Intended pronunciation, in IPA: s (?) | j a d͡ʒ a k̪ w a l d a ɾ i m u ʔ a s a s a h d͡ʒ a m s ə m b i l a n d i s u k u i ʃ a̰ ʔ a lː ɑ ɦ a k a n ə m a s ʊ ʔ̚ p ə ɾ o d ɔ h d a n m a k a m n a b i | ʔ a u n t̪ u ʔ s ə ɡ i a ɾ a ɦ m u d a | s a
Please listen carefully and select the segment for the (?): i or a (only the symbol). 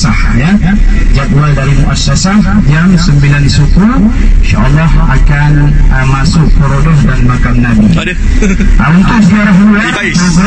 a